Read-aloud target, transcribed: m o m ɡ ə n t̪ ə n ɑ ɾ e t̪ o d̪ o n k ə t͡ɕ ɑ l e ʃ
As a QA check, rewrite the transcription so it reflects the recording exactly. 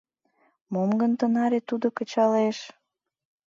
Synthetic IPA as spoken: m o m ɡ ə n t̪ ə n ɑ ɾ e t̪ u d̪ o k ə t͡ɕ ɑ l e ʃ